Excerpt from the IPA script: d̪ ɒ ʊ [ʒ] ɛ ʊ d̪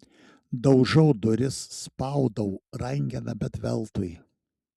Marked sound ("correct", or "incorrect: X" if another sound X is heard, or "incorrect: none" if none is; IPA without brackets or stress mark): correct